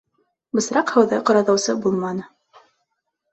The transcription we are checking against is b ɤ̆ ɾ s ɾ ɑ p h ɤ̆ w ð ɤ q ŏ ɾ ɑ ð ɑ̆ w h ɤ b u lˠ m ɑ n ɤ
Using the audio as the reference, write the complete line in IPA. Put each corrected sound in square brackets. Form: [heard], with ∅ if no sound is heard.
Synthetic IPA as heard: b ɤ̆ [∅] s ɾ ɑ [q] h ɤ̆ w ð ɤ q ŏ ɾ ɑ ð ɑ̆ w [s] ɤ b u lˠ m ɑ n ɤ